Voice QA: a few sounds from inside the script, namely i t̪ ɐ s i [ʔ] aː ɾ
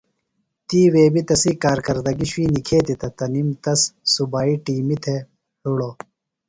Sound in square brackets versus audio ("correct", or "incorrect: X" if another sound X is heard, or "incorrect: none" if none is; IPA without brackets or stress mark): incorrect: k